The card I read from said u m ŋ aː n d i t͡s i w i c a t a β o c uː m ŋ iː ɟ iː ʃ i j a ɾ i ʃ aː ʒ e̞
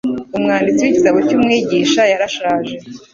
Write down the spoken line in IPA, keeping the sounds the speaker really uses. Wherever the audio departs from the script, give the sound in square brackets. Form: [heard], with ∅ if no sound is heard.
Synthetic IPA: u m ŋ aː n d i t͡s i w i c [i] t a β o c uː m ŋ iː ɟ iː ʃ [a] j a ɾ [a] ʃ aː ʒ e̞